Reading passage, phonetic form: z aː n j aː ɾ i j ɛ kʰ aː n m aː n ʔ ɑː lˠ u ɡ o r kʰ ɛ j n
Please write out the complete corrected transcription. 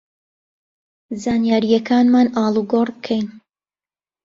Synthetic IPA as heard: z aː n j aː ɾ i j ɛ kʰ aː n m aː n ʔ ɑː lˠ u ɡ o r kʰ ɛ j n